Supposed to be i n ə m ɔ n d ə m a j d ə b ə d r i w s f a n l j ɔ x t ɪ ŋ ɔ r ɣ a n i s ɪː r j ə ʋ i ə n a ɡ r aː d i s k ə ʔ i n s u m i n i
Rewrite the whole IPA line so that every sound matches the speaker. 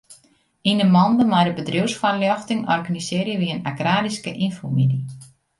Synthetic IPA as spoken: i n ə m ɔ n d ə m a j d ə b ə d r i w s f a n l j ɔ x t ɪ ŋ ɔ r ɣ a n i s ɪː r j ə ʋ i ə n a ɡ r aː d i s k ə ʔ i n f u m i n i